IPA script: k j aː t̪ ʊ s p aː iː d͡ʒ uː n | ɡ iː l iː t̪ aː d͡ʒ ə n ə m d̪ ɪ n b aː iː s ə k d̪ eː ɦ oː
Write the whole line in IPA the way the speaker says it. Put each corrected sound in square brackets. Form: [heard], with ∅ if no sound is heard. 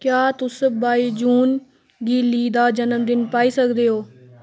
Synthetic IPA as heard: k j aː t̪ ʊ s [b] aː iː d͡ʒ uː n | ɡ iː l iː [d̪] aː d͡ʒ ə n ə m d̪ ɪ n [p] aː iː s ə k d̪ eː ɦ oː